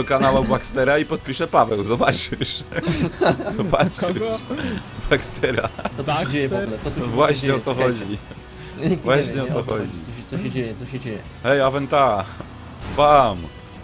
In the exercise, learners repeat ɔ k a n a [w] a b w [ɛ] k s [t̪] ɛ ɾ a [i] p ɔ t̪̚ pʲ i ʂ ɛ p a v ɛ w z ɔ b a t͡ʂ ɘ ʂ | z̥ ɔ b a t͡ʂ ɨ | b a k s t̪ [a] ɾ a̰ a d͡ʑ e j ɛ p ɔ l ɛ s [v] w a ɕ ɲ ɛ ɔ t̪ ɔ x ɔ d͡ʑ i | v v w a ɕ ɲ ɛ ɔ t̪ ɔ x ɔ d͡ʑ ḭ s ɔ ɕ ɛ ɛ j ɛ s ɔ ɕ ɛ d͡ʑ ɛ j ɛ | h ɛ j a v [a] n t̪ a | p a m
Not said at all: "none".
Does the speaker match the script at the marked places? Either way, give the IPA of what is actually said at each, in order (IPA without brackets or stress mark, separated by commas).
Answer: w, a, t̪, i, ɛ, v, ɛ